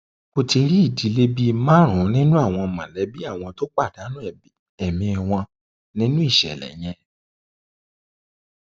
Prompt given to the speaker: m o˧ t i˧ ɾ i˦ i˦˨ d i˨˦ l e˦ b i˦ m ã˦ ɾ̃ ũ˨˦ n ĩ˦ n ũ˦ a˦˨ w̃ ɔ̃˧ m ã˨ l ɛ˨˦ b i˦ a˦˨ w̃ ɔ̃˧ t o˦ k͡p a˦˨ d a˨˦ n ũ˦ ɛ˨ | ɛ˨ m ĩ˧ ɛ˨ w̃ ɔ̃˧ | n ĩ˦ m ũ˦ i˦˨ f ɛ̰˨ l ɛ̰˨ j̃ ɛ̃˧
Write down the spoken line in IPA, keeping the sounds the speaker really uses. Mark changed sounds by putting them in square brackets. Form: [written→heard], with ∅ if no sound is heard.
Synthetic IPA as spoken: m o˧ t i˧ ɾ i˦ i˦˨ d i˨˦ l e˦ b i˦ m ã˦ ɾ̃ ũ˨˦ n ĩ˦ n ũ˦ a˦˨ w̃ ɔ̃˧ m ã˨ l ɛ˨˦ b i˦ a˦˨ w̃ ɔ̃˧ t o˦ k͡p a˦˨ d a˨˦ n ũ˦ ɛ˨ | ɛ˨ m ĩ˧ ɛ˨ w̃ ɔ̃˧ | n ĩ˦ [m→n] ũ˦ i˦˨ [f→ʃ] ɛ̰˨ l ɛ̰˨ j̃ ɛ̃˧

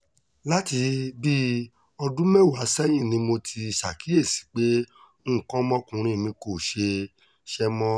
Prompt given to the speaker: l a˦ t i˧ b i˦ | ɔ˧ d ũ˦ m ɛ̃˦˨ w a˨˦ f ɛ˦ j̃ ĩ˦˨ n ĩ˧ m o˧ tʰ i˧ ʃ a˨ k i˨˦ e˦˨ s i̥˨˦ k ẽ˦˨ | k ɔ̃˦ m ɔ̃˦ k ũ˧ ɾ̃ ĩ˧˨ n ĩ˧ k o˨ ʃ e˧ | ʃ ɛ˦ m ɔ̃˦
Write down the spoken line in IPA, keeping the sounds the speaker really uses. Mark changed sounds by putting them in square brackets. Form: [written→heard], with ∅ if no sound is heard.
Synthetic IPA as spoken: l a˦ t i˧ b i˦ | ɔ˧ d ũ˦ m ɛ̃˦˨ w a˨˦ [f→s] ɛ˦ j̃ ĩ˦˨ n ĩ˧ m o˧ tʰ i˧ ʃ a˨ k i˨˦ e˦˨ s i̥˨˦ [k→k͡p] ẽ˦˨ | k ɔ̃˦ m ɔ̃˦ k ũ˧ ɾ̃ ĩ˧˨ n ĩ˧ k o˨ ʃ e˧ | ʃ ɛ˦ m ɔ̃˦

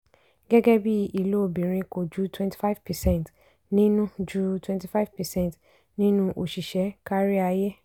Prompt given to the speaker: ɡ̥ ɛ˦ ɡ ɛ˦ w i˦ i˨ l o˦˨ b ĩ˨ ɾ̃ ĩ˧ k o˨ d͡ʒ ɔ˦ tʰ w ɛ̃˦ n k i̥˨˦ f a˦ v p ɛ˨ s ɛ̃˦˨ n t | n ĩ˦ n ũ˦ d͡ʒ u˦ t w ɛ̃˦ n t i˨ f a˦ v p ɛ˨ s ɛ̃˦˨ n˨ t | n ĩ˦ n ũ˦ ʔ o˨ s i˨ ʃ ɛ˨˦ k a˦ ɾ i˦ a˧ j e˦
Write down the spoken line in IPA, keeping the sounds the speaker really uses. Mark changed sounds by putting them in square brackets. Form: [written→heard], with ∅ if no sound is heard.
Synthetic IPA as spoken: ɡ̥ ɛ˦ ɡ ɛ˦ [w→b] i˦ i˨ l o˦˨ b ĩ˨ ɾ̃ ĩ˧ k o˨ d͡ʒ [ɔ˦→u˦] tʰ w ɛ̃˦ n [k→t] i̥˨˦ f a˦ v p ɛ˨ s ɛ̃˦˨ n t | n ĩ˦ n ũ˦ d͡ʒ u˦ t w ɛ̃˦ n t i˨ f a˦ v p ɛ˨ s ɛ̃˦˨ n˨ t | n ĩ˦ n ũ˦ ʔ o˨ [s→ʃ] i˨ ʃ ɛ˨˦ k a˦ ɾ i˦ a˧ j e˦

